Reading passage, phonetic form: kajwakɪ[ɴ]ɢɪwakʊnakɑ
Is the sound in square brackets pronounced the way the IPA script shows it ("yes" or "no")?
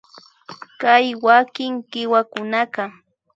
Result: no